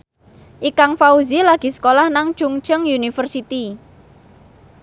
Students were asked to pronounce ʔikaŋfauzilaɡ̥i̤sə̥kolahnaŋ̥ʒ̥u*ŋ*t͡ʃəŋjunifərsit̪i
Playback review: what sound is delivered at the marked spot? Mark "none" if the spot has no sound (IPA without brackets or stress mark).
ŋ